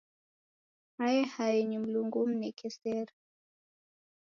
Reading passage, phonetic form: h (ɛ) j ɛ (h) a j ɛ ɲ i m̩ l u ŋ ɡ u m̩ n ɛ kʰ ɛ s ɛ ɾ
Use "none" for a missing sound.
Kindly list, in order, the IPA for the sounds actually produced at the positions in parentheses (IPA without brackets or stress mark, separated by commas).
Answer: a, h